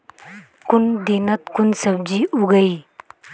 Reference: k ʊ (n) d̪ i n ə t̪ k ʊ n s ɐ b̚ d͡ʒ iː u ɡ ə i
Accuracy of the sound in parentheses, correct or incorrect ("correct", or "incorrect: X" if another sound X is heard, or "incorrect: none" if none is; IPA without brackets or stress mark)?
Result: correct